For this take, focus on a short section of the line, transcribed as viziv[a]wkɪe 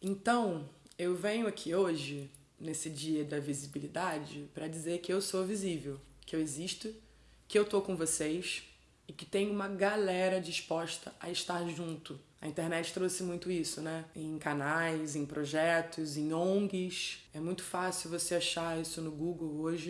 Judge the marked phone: incorrect: e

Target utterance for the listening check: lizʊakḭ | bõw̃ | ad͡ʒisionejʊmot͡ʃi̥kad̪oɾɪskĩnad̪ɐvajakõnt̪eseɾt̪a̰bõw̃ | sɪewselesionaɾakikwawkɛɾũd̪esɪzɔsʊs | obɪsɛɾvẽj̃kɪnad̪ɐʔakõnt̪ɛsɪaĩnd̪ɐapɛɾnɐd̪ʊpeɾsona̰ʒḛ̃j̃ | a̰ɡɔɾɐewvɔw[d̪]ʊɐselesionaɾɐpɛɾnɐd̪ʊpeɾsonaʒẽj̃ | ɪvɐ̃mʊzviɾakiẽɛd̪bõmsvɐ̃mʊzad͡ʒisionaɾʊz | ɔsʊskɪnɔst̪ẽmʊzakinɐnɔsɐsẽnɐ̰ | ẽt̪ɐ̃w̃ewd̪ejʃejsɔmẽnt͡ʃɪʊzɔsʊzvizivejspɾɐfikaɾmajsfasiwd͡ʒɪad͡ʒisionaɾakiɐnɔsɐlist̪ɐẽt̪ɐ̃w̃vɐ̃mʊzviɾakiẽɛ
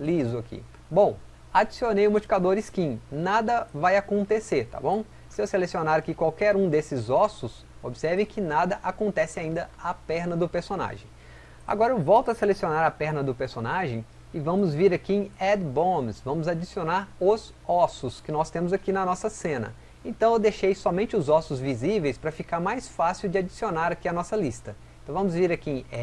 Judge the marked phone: incorrect: t̪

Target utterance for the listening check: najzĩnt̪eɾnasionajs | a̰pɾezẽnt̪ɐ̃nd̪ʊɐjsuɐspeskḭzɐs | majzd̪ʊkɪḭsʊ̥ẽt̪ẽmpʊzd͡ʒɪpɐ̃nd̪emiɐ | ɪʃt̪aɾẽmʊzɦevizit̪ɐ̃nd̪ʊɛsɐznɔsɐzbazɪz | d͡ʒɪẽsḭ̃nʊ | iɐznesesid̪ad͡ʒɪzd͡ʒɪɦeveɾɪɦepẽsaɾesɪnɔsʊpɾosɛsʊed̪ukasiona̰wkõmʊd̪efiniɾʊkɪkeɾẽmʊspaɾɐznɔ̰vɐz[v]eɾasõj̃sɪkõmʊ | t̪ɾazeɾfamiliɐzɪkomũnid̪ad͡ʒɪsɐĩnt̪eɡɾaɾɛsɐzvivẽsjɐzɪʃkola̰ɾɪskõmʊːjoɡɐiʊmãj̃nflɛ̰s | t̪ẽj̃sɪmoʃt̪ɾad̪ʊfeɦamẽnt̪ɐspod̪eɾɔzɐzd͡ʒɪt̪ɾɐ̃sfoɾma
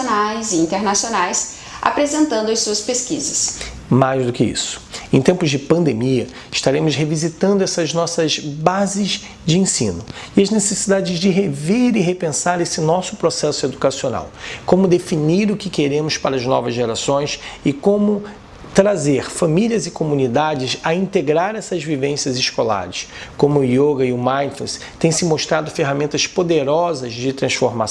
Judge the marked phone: incorrect: ʒ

